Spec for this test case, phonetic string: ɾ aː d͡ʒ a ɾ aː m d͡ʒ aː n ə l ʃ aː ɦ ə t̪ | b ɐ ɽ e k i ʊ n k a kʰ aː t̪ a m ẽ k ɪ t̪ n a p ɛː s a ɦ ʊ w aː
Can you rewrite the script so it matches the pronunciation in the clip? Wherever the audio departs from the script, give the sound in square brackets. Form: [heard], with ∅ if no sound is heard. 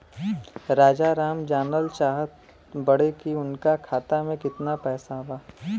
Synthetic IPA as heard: ɾ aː d͡ʒ a ɾ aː m d͡ʒ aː n ə l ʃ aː ɦ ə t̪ | b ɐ ɽ e k i ʊ n k a kʰ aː t̪ a m ẽ k ɪ t̪ n a p ɛː s a ɦ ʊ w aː